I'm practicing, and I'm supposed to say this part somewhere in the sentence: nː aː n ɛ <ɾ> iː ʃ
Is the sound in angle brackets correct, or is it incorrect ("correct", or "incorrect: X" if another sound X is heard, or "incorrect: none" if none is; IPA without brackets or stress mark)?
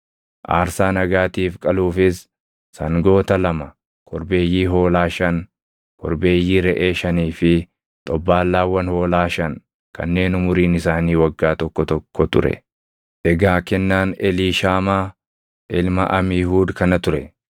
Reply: incorrect: l